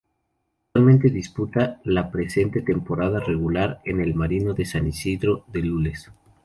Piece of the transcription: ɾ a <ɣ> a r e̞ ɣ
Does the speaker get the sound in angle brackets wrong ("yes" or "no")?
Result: yes